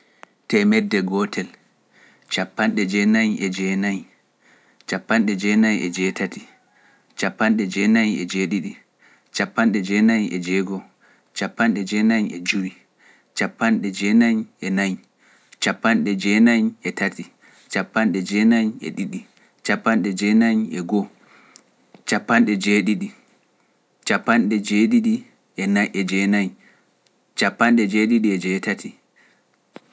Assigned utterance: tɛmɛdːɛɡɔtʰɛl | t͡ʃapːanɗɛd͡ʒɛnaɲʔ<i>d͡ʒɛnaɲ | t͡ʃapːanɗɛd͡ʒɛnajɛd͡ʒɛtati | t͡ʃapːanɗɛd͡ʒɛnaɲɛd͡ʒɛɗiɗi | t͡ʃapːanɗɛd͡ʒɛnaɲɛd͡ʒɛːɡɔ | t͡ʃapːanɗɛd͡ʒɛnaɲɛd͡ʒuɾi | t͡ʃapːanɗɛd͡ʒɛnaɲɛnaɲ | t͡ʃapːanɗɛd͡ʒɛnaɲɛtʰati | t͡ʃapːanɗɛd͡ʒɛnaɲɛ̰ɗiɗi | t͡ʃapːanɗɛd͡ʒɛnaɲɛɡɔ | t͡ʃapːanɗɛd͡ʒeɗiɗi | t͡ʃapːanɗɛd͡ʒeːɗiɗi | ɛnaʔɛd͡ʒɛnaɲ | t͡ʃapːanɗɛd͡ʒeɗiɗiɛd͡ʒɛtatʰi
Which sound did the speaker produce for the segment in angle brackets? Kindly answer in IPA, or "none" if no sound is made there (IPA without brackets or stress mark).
ɛ